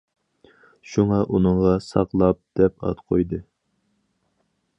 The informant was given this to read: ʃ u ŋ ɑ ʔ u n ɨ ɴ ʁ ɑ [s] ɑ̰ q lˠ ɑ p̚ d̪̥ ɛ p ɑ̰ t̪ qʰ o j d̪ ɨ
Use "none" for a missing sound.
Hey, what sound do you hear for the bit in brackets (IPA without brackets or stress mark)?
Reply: s